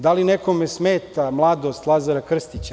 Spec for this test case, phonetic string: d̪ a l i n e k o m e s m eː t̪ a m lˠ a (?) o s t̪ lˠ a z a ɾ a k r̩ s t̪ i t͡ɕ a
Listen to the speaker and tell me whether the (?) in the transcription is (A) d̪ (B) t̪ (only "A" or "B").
A